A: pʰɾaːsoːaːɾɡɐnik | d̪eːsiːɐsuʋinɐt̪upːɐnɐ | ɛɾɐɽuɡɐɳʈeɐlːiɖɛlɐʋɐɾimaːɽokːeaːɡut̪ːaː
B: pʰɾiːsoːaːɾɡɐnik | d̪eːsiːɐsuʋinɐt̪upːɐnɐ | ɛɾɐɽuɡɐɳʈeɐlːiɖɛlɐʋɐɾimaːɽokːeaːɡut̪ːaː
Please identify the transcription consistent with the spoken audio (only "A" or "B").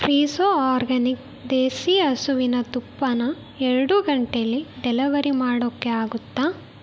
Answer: B